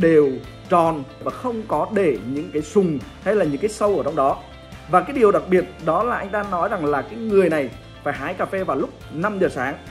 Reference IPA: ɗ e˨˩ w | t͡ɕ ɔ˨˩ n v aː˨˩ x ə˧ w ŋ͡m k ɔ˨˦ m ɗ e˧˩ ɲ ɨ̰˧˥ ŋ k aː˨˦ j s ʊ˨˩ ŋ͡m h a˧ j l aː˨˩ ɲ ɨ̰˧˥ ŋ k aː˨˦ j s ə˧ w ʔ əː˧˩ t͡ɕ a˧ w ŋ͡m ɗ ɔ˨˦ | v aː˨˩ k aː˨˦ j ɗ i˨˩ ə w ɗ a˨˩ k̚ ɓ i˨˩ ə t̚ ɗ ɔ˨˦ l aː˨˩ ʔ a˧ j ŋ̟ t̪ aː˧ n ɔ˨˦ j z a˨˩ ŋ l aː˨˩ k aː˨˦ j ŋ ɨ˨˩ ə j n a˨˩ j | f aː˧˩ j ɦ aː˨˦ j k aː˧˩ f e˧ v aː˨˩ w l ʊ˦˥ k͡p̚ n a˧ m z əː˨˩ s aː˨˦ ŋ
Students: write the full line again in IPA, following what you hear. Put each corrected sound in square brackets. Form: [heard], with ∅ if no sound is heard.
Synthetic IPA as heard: ɗ e˨˩ w | t͡ɕ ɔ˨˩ n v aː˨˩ x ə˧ w ŋ͡m k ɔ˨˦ [∅] ɗ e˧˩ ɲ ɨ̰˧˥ ŋ k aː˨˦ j s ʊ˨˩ ŋ͡m h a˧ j l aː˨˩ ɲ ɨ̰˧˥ ŋ k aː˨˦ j s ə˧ w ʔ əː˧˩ t͡ɕ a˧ w ŋ͡m ɗ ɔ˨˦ | v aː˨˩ k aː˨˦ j ɗ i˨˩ ə w ɗ a˨˩ k̚ ɓ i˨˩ ə t̚ ɗ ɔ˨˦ l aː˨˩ ʔ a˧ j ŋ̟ t̪ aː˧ n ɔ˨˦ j z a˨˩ ŋ l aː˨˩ k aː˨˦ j ŋ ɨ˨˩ ə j n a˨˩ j | f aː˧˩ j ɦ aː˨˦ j k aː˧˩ f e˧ v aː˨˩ w l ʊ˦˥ k͡p̚ n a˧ m z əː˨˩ s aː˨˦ ŋ